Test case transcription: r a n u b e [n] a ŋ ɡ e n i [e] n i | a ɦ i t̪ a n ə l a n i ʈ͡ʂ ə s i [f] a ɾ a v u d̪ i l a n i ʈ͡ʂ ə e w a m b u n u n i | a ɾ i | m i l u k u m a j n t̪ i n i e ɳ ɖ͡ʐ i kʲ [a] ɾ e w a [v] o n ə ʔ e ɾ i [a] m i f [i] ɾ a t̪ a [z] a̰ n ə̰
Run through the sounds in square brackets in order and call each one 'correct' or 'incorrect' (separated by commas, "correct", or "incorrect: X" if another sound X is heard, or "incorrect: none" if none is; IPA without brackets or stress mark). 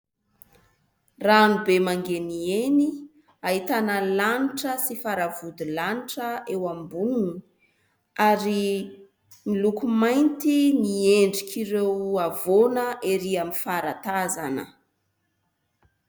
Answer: incorrect: m, correct, correct, incorrect: i, correct, correct, incorrect: a, correct